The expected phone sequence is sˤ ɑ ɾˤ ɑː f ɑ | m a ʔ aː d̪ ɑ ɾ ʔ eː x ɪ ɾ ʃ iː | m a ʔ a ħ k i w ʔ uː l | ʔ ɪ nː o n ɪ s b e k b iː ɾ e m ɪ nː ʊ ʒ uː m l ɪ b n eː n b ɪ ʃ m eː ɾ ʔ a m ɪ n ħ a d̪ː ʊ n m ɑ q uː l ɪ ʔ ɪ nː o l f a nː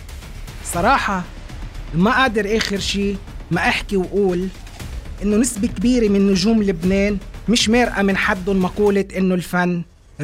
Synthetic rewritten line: sˤ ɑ ɾˤ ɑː ħ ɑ | m a ʔ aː d̪ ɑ ɾ ʔ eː x ɪ ɾ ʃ iː | m a ʔ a ħ k i w ʔ uː l | ʔ ɪ nː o n ɪ s b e k b iː ɾ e m ɪ nː ʊ ʒ uː m l ɪ b n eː n m ɪ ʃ m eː ɾ ʔ a m ɪ n ħ a d̪ː ʊ n m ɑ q uː l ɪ ʔ ɪ nː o l f a nː